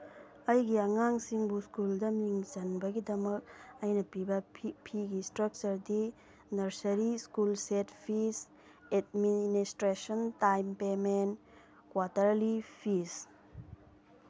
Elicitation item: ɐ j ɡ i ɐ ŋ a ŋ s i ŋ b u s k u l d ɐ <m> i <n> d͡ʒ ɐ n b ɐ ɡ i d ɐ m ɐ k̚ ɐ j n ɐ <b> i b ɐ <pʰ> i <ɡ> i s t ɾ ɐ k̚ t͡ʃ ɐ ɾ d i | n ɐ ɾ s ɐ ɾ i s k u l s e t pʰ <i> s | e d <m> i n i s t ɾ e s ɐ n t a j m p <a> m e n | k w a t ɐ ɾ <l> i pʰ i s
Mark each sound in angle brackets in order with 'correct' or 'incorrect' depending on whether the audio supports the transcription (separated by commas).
correct, incorrect, incorrect, correct, correct, correct, correct, incorrect, correct